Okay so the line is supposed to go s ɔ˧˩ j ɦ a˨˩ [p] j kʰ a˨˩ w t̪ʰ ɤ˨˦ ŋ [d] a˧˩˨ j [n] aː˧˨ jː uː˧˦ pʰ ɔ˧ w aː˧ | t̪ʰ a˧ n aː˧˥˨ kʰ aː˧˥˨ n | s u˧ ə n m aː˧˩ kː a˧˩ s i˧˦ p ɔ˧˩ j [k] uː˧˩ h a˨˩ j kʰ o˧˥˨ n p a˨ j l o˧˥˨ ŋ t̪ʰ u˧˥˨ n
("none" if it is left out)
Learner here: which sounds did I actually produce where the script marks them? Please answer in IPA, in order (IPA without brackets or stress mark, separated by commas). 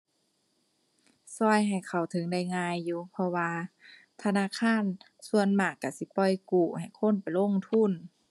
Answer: none, d, ŋ, k